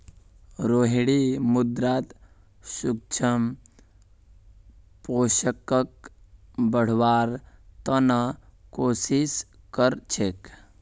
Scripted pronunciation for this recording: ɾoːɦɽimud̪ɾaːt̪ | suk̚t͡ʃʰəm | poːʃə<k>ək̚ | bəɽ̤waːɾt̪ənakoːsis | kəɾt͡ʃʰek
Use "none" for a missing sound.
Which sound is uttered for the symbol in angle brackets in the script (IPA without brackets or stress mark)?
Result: k